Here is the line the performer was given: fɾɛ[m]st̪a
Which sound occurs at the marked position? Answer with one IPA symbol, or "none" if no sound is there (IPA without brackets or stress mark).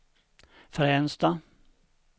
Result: n